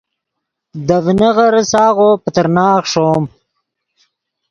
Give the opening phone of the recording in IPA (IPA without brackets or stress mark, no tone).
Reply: d̪